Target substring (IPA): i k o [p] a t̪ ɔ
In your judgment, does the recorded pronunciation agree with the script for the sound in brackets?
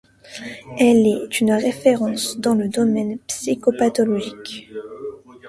yes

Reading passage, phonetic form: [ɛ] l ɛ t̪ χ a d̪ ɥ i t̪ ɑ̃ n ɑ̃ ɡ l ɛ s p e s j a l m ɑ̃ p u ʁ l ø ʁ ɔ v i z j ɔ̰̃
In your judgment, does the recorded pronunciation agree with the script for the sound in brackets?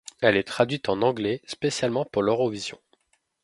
yes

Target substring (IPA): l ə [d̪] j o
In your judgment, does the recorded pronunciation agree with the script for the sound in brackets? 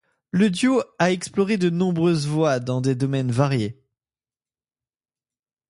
yes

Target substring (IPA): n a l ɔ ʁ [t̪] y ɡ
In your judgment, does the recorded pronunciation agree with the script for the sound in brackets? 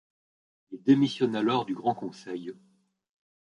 no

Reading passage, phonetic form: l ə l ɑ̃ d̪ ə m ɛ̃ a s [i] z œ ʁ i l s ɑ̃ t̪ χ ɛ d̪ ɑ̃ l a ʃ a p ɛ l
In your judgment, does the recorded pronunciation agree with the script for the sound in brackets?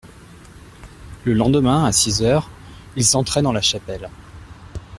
yes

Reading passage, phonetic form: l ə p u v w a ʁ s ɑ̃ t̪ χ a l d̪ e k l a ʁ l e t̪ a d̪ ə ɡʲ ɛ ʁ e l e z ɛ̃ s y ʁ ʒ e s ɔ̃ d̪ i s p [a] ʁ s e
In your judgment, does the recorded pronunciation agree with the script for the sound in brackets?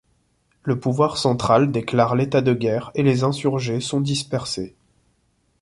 no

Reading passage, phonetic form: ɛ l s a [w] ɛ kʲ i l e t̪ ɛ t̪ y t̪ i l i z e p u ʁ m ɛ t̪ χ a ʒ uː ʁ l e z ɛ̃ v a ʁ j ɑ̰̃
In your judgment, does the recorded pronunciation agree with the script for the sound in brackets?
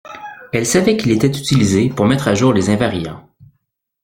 no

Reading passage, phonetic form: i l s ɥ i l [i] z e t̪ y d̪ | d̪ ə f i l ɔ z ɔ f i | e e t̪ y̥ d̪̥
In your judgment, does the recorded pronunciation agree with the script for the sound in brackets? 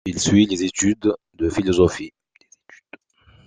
no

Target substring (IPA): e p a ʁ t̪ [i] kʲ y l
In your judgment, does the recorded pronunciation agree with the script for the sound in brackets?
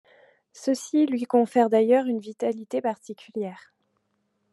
yes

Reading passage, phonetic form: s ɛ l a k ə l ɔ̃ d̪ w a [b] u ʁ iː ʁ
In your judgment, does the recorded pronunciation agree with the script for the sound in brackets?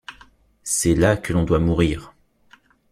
no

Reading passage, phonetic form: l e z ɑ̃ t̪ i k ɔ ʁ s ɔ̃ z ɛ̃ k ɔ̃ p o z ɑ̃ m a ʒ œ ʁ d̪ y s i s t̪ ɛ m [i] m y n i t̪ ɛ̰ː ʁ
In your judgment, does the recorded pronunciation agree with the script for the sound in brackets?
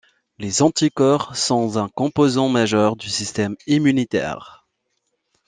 yes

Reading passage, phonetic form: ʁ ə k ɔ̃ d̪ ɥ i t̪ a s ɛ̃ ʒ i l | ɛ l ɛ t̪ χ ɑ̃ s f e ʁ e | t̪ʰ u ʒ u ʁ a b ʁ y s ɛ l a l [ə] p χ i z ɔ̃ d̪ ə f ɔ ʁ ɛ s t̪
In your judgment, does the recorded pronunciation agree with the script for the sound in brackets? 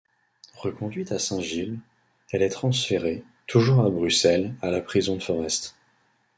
no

